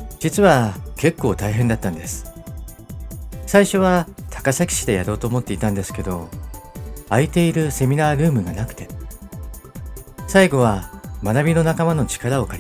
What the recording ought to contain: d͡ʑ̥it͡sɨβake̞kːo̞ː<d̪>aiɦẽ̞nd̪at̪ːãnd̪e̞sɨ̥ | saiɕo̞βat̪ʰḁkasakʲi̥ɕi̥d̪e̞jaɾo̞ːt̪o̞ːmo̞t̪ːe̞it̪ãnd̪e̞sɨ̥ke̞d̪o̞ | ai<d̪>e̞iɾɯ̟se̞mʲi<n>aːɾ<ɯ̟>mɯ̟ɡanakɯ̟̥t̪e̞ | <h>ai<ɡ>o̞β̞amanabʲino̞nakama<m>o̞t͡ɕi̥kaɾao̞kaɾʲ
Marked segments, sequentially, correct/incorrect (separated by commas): incorrect, incorrect, correct, incorrect, incorrect, correct, incorrect